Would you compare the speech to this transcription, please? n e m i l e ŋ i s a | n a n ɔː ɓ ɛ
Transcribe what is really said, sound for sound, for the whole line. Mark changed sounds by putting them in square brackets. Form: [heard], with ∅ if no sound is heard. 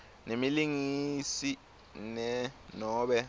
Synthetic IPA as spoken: n e m i l [i] ŋ i s [i] | n [ɛ] n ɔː ɓ ɛ

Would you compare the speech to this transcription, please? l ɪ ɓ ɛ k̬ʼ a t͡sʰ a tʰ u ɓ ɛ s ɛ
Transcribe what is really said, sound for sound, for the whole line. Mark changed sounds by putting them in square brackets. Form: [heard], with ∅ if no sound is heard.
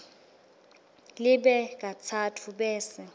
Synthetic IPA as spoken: l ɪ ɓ ɛ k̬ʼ a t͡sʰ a tʰ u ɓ [ɛː] s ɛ

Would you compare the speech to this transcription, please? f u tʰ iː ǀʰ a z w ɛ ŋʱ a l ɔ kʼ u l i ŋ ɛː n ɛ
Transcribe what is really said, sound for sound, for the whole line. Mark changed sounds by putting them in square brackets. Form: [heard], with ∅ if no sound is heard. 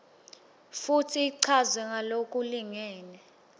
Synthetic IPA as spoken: f u tʰ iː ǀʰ a z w ɛ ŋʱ a l [o] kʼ u l i ŋ ɛː n ɛ

